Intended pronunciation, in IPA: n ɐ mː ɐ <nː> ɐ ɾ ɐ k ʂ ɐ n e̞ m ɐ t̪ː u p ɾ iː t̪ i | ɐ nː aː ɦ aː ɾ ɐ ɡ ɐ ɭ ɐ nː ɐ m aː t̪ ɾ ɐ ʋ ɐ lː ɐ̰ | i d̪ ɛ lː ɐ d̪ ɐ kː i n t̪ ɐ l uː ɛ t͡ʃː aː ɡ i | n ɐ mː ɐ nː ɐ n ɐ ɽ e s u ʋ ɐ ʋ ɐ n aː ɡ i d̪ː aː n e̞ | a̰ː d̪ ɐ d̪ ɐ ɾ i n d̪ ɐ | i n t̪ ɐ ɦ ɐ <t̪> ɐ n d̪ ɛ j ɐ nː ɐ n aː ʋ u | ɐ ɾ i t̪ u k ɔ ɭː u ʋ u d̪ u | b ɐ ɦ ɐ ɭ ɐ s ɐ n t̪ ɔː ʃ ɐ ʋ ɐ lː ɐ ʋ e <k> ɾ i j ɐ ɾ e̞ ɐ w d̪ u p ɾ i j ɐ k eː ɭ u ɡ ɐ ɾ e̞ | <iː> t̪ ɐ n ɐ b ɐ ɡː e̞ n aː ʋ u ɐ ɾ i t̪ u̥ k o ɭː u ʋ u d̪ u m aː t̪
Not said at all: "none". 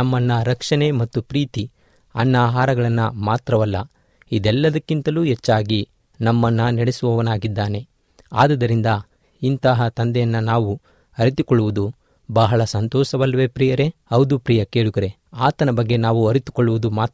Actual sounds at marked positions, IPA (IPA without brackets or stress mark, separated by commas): nː, t̪, p, aː